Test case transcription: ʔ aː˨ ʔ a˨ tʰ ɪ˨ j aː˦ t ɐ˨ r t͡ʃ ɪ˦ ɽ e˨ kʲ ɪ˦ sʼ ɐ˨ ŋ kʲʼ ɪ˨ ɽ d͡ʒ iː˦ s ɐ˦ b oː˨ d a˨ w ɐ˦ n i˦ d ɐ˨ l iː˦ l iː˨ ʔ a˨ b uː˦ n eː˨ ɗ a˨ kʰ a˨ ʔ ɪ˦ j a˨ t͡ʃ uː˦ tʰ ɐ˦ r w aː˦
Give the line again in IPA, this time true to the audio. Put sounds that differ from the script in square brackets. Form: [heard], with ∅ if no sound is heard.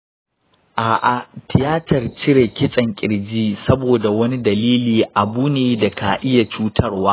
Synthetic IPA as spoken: ʔ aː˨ ʔ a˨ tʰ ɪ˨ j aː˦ t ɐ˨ r t͡ʃ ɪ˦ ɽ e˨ kʲ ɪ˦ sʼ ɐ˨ ŋ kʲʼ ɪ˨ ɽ d͡ʒ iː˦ s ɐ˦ b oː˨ d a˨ w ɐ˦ n i˦ d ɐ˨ l iː˦ l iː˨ ʔ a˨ b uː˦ n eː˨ [d] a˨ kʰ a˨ ʔ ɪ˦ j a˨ t͡ʃ uː˦ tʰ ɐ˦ r w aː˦

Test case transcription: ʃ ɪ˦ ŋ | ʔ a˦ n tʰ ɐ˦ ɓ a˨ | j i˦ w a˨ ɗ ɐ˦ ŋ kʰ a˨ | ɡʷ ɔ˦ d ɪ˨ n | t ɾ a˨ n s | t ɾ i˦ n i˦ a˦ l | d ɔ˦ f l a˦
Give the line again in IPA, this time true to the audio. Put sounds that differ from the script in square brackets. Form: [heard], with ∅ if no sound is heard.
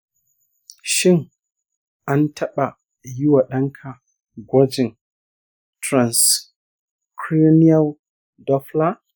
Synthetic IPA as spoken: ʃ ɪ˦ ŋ | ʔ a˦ n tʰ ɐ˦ ɓ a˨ | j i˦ w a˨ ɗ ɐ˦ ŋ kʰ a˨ | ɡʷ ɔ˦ [d͡ʒ] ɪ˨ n | t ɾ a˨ n s | [k] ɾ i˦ n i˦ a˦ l | d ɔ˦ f l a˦

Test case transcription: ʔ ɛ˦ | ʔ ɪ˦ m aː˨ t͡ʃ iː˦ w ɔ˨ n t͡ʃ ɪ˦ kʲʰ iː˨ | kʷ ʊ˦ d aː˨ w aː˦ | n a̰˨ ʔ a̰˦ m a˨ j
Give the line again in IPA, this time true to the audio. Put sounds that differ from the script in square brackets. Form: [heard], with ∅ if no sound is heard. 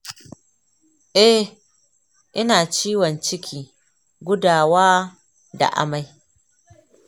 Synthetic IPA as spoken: ʔ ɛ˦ | ʔ ɪ˦ [n] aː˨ t͡ʃ iː˦ w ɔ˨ n t͡ʃ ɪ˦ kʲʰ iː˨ | [ɡʷ] ʊ˦ d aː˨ w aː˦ | [d] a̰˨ ʔ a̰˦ m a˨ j

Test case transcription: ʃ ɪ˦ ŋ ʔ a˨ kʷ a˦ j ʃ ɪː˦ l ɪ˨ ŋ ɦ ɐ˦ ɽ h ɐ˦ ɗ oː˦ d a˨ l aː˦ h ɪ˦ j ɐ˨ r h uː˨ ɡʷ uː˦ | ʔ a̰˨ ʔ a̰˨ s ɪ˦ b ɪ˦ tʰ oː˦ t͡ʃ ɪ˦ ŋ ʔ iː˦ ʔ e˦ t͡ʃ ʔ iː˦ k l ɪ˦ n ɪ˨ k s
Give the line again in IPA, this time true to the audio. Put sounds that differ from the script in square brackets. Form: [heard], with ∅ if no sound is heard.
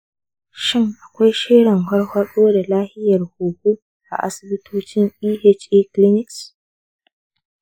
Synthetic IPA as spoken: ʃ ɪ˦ ŋ ʔ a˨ kʷ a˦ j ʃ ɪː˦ [ɽ] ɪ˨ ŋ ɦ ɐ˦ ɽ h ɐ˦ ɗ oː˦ d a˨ l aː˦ h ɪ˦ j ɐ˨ r h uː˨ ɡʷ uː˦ | ʔ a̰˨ ʔ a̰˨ s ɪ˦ b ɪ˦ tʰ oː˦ t͡ʃ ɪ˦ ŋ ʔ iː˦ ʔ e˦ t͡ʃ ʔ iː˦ k l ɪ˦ n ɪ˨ k s

